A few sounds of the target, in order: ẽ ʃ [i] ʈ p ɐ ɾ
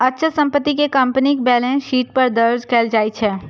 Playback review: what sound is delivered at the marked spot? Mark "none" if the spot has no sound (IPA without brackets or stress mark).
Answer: iː